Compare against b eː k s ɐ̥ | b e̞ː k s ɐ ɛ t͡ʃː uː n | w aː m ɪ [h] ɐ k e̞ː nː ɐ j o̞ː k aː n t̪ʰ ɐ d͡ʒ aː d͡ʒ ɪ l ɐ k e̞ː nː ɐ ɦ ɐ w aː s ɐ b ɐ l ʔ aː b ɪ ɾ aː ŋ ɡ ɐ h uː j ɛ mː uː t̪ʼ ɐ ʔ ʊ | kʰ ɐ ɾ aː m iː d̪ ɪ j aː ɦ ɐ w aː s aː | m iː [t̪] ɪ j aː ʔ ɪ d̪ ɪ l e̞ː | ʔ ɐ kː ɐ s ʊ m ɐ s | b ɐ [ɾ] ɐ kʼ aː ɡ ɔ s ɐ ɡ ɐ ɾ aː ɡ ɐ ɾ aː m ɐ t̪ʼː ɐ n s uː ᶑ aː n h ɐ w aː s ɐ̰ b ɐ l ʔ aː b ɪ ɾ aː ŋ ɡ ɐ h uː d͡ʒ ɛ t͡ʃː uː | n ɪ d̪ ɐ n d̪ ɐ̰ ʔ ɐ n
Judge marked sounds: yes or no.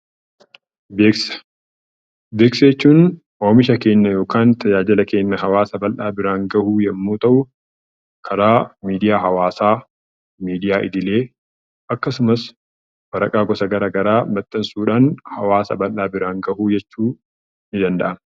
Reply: no, no, yes

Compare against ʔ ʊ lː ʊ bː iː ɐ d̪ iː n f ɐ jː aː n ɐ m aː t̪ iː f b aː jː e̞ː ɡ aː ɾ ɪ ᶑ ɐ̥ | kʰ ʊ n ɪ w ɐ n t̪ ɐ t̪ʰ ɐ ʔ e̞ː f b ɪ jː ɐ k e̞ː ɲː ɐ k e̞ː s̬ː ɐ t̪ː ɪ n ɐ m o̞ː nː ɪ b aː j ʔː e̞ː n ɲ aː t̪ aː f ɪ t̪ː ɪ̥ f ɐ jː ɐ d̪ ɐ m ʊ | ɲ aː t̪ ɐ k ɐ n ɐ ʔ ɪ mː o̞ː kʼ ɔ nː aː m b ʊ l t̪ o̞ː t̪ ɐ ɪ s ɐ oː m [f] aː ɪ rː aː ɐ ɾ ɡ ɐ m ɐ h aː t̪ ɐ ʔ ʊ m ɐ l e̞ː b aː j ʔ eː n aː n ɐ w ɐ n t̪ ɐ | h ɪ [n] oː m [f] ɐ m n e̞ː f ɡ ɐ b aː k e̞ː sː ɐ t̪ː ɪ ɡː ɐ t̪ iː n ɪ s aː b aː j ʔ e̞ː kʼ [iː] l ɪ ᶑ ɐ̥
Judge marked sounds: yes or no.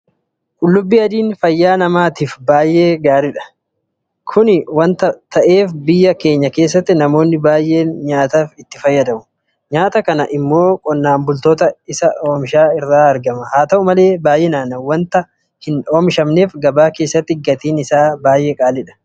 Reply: no, yes, no, no

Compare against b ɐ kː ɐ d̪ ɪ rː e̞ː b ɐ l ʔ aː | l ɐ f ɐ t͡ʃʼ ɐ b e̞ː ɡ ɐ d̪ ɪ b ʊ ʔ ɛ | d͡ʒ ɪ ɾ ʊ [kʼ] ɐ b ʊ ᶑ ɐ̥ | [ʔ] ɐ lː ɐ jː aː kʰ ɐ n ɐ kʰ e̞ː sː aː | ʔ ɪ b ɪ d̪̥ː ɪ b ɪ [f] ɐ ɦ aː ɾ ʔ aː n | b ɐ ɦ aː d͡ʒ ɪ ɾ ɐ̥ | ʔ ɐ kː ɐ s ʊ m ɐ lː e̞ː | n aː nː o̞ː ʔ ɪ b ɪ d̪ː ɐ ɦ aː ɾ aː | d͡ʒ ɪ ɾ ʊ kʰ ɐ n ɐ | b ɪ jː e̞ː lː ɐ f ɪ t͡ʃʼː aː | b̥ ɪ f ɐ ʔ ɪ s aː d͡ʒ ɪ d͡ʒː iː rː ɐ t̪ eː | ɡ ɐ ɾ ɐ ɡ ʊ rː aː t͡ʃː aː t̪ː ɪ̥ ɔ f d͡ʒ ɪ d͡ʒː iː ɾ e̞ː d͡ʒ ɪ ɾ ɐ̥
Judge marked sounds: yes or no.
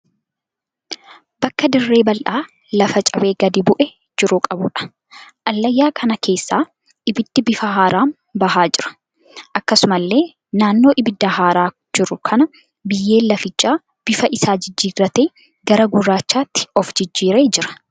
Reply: yes, yes, yes

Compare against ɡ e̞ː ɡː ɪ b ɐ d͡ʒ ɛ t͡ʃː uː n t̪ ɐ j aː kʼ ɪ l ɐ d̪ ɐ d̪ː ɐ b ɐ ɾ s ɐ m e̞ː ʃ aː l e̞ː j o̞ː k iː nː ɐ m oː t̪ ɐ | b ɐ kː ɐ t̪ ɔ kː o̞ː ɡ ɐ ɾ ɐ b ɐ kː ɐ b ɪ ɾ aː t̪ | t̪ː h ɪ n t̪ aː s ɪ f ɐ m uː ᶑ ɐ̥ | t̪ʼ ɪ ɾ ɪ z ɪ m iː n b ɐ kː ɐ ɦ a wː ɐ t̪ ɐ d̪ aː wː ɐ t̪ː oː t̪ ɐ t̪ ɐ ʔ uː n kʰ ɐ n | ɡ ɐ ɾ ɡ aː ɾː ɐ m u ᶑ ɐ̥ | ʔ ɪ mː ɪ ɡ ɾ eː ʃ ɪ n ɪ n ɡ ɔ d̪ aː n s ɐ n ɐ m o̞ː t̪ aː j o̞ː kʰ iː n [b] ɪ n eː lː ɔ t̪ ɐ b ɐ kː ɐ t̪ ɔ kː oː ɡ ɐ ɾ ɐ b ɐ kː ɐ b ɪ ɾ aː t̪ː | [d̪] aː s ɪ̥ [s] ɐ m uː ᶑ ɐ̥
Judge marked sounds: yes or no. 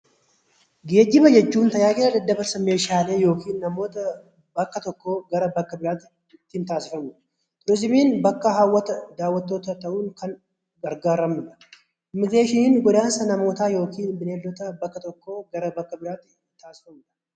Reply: yes, no, no

